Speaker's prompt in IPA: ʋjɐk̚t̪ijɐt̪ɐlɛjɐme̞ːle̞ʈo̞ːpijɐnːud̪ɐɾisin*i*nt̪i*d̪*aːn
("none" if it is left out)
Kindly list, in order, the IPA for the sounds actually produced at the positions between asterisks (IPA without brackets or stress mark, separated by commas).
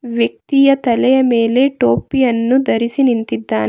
i, d̪ː